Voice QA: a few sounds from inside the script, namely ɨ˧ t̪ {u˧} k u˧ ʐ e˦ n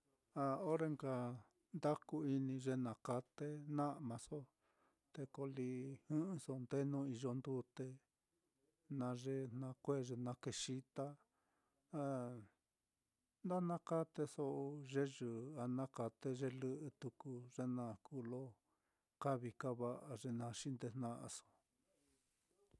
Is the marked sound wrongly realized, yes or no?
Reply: no